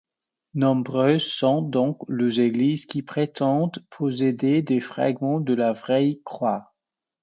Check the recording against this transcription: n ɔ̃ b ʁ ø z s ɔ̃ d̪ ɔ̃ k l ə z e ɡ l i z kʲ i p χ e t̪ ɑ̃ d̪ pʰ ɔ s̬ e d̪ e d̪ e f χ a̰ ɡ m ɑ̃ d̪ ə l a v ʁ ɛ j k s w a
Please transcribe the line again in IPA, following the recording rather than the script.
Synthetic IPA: n ɔ̃ b ʁ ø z s ɔ̃ d̪ ɔ̃ k l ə z e ɡ l i z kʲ i p χ e t̪ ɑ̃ d̪ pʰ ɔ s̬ e d̪ e d̪ e f χ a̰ ɡ m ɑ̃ d̪ ə l a v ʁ ɛ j k χ w a